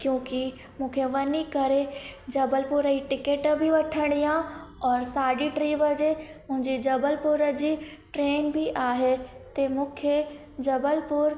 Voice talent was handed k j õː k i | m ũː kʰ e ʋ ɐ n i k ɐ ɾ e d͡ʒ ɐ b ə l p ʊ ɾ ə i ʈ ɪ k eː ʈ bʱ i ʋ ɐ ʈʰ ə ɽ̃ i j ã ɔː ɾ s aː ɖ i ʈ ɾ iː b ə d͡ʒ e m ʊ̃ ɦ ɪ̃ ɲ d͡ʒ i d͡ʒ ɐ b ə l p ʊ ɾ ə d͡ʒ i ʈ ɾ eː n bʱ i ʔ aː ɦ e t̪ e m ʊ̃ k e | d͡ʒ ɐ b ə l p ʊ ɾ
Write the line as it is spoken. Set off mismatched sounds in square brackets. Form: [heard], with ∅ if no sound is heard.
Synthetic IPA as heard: k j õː k i | m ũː kʰ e ʋ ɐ n i k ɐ ɾ e d͡ʒ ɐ b ə l p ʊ ɾ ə i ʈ ɪ k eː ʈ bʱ i ʋ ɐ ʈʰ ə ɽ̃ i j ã ɔː ɾ s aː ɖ i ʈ ɾ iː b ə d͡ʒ e m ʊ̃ ɦ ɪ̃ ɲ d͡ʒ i d͡ʒ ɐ b ə l p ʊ ɾ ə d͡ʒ i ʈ ɾ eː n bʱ i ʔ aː ɦ e t̪ e m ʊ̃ [kʰ] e | d͡ʒ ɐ b ə l p ʊ ɾ